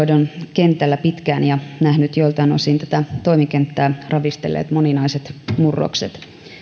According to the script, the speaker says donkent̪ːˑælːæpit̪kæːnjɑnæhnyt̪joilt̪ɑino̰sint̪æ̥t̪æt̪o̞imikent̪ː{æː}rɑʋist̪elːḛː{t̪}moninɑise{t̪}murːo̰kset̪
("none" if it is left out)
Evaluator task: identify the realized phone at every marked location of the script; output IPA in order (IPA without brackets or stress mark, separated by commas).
æː, t̪, t̪